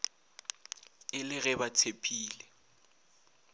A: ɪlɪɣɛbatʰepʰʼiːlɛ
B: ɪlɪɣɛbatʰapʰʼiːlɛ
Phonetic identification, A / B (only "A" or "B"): A